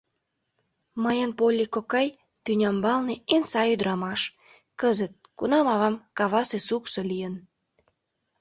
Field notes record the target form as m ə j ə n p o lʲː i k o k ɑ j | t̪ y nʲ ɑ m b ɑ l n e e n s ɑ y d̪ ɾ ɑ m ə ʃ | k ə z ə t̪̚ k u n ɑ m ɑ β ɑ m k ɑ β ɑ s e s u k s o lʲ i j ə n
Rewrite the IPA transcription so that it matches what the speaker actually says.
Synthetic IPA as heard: m ə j ə n p o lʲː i k o k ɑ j | t̪ y nʲ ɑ m b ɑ l n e e n s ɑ y d̪ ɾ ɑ m ɑ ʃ | k ə z ə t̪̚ k u n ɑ m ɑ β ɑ m k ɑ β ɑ s e s u k s o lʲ i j ə n